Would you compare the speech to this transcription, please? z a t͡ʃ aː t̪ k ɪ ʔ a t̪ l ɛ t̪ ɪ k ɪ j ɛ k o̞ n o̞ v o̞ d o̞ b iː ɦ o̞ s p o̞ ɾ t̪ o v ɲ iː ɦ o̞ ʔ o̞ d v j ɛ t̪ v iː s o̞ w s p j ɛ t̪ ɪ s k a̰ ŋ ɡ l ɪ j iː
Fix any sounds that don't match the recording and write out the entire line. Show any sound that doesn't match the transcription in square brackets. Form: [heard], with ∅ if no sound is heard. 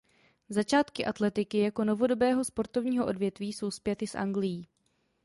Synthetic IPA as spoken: z a t͡ʃ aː t̪ k ɪ ʔ a t̪ l ɛ t̪ ɪ k ɪ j [a] k o̞ n o̞ v o̞ d o̞ b [ɛː] ɦ o̞ s p o̞ ɾ t̪ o v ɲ iː ɦ o̞ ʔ o̞ d v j ɛ t̪ v iː s o̞ w s p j ɛ t̪ ɪ s [ʔ] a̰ ŋ ɡ l ɪ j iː